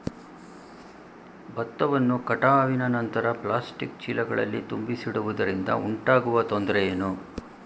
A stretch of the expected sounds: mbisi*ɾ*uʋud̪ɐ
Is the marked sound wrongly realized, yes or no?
yes